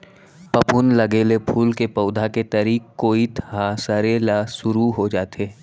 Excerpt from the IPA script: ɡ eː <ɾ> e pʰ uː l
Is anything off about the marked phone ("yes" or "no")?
yes